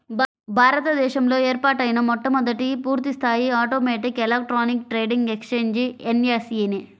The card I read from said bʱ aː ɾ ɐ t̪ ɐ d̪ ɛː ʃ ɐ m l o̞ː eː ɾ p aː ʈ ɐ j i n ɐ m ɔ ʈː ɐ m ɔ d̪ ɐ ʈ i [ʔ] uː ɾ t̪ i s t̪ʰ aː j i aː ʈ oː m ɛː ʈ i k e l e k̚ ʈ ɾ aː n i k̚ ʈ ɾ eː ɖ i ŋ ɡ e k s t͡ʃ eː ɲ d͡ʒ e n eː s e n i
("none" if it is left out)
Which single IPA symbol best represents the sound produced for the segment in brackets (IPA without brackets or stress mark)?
p